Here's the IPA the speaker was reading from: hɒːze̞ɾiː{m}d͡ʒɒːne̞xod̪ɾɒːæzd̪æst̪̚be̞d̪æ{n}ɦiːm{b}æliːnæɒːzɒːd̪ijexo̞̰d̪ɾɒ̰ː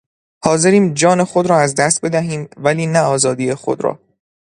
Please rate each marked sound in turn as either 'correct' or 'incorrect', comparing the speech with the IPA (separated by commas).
correct, incorrect, incorrect